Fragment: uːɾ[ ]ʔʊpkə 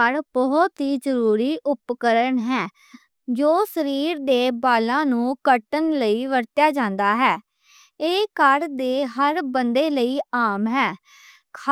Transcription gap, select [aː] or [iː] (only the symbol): iː